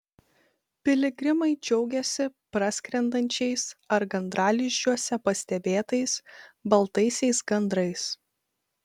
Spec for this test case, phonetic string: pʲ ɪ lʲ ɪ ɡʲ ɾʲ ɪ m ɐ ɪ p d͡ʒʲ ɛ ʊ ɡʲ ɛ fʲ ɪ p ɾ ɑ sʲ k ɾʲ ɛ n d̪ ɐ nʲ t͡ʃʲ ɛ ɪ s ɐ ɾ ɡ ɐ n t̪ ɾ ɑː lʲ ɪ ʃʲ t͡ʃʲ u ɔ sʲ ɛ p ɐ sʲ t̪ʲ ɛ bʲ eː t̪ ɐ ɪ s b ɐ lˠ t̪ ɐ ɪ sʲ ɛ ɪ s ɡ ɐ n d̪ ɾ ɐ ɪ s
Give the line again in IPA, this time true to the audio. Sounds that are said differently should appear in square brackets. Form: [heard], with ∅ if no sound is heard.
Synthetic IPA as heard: pʲ ɪ lʲ ɪ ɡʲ ɾʲ ɪ m ɐ ɪ [∅] d͡ʒʲ ɛ ʊ ɡʲ ɛ [sʲ] ɪ p ɾ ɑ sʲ k ɾʲ ɛ n d̪ ɐ nʲ t͡ʃʲ ɛ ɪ s ɐ ɾ ɡ ɐ n [d̪] ɾ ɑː lʲ ɪ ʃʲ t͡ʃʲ u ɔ sʲ ɛ p ɐ sʲ t̪ʲ ɛ bʲ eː t̪ ɐ ɪ s b ɐ lˠ t̪ ɐ ɪ sʲ ɛ ɪ s ɡ ɐ n d̪ ɾ ɐ ɪ s